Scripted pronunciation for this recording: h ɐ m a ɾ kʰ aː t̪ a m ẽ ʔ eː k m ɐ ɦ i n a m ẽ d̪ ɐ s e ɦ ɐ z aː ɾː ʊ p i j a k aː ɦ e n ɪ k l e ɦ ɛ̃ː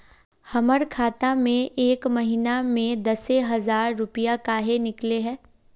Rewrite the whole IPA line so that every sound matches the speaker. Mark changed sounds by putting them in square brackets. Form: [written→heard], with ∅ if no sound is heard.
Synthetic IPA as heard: h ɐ m [a→ə] ɾ kʰ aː t̪ a m ẽ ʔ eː k m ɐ ɦ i n a m ẽ d̪ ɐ s e ɦ ɐ z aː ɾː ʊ p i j a k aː ɦ e n ɪ k l e ɦ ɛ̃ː